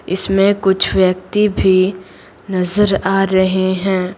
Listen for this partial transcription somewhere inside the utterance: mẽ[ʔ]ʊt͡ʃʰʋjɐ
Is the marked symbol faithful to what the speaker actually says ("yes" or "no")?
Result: no